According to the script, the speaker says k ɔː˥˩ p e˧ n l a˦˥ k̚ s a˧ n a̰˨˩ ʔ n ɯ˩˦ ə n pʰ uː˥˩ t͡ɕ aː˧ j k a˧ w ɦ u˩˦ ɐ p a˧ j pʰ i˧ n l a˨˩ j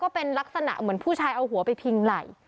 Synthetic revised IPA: k ɔː˥˩ p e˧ n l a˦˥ k̚ s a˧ n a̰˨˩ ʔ m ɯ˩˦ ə n pʰ uː˥˩ t͡ɕʰ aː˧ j ʔ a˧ w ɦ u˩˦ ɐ p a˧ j pʰ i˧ ŋ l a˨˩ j